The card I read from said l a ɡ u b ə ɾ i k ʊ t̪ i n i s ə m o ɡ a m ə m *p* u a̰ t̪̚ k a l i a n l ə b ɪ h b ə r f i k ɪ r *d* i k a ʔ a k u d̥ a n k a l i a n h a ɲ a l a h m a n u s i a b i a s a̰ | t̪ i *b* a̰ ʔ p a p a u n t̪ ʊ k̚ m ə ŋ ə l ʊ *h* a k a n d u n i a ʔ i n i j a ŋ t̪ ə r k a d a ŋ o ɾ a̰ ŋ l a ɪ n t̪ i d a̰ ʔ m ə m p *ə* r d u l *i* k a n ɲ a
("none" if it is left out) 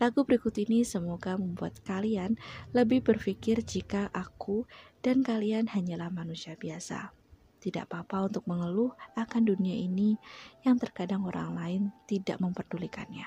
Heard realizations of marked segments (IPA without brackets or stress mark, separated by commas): b, d͡ʒ, d, h, ə, i